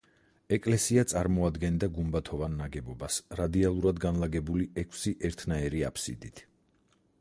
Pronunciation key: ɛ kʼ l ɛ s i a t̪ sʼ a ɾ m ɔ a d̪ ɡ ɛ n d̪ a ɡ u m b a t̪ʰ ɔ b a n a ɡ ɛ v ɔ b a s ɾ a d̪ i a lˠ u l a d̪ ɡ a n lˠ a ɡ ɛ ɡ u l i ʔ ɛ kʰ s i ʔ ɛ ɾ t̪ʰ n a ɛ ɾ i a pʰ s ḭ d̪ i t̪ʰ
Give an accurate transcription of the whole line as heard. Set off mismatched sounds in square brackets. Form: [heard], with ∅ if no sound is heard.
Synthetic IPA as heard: ɛ kʼ l ɛ s i a t̪ sʼ a ɾ m ɔ a d̪ ɡ ɛ n d̪ a ɡ u m b a t̪ʰ ɔ [v] a [nː] a ɡ ɛ [b] ɔ b a s ɾ a d̪ i a lˠ u [ɾ] a d̪ ɡ a n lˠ a ɡ ɛ [b] u l i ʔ ɛ kʰ s i ʔ ɛ ɾ t̪ʰ n a ɛ ɾ i a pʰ s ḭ d̪ i t̪ʰ